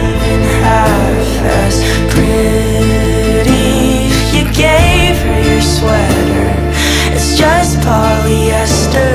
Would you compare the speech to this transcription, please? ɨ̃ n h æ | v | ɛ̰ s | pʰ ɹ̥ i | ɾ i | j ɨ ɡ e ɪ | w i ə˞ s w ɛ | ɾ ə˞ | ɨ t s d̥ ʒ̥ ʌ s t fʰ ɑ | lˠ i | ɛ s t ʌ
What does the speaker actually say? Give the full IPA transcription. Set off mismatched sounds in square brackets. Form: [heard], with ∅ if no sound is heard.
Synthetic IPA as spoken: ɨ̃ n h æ | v | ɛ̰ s | pʰ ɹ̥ [ɪ] | ɾ i | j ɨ ɡ e ɪ | [v] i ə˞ s w ɛ | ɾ ə˞ | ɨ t s d̥ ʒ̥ ʌ s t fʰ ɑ | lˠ i | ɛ s t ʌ